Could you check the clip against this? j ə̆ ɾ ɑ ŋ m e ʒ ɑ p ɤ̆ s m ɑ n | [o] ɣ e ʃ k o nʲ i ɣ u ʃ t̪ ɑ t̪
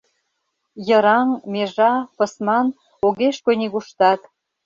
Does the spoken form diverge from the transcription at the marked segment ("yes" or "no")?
no